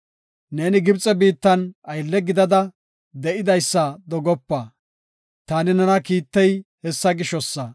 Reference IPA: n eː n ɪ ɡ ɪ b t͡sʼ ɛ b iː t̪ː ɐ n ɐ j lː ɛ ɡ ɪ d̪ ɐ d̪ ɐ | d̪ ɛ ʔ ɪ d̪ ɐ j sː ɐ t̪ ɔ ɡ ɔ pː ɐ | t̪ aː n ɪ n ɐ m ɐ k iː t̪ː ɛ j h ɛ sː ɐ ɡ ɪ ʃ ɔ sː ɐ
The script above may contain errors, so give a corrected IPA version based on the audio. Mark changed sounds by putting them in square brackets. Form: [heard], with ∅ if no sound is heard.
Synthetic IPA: n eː n ɪ ɡ ɪ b t͡sʼ ɛ b iː t̪ː ɐ n ɐ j lː ɛ ɡ ɪ d̪ ɐ d̪ ɐ | d̪ ɛ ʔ ɪ d̪ ɐ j sː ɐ [d̪] ɔ ɡ ɔ pː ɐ | t̪ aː n ɪ n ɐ [n] ɐ k iː t̪ː ɛ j h ɛ sː ɐ ɡ ɪ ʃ ɔ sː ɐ